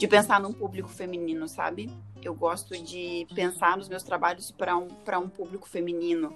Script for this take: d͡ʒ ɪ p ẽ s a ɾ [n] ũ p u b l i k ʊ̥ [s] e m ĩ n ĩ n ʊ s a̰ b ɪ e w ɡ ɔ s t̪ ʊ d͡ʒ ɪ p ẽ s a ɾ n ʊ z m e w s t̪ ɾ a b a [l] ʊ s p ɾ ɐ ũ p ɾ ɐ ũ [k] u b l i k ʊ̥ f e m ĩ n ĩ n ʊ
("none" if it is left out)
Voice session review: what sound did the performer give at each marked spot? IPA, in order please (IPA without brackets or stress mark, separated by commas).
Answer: n, f, ʎ, p